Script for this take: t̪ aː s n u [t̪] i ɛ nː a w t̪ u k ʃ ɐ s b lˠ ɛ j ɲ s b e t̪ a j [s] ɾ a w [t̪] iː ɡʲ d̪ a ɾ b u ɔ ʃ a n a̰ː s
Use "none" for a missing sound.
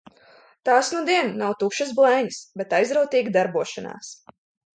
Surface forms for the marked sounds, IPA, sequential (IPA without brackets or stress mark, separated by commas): d̪, z, t̪